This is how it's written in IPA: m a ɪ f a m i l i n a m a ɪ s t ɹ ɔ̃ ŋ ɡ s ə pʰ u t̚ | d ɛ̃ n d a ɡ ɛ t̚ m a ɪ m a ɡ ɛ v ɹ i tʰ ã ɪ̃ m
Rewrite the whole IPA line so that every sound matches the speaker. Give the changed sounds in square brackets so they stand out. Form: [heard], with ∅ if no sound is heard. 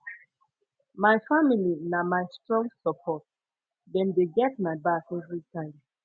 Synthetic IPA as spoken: m a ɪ f a m i l i n a m a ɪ s t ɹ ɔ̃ ŋ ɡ s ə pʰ [ɔ] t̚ | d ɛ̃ n d [e] ɡ ɛ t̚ m a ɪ [b] a [k] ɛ v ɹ i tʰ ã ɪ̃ m